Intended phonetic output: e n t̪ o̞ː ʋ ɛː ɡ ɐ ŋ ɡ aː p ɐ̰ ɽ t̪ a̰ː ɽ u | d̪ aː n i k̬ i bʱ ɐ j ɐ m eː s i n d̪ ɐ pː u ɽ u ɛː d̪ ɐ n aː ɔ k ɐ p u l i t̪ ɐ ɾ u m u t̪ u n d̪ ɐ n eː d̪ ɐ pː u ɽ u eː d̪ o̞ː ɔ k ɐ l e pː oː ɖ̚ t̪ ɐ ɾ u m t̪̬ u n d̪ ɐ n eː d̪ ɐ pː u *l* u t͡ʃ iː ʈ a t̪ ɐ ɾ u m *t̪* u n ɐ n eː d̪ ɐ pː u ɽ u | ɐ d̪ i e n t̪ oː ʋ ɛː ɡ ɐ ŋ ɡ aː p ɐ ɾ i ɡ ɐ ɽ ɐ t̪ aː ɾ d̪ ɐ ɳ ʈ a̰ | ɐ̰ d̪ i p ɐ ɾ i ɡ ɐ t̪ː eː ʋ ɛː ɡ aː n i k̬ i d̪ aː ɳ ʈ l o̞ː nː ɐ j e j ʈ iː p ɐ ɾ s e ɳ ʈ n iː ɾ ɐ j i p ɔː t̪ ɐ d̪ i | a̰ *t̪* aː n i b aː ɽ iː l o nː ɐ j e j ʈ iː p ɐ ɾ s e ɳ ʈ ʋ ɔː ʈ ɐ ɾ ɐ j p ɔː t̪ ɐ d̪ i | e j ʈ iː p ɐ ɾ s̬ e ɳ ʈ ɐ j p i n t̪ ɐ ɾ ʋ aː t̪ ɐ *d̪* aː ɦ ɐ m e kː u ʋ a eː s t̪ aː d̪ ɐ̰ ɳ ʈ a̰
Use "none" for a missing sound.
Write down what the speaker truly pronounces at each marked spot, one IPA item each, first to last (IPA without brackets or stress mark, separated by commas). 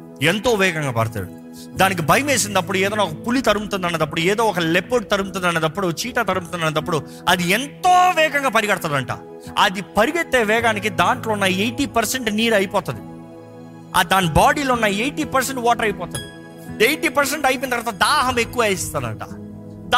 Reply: ɽ, t̪, d̪, d̪